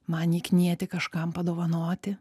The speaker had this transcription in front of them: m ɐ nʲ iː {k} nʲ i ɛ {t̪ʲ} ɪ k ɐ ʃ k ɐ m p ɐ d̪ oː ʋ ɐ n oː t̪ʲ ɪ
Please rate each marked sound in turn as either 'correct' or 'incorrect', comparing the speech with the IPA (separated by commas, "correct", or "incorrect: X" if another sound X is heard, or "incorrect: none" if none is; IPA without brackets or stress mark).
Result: correct, correct